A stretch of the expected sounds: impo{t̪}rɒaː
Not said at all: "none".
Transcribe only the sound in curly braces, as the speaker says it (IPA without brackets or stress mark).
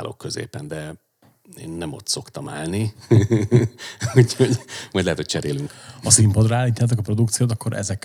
d̪